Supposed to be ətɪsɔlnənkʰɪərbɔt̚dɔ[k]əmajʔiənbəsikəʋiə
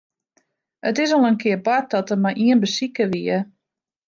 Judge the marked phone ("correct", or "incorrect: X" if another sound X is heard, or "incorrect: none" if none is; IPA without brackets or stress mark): incorrect: t